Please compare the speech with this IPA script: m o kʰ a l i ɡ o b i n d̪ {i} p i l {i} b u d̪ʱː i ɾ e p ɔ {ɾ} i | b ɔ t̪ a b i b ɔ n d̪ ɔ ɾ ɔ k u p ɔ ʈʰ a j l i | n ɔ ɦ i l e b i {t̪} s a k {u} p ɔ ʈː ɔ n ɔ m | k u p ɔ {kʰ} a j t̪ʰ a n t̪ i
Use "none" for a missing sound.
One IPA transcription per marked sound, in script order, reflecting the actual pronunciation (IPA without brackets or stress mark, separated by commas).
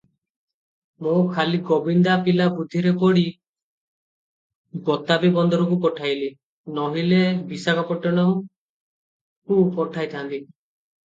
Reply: a, a, ɽ, none, ɔ, ʈʰ